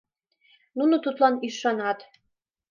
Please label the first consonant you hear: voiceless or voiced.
voiced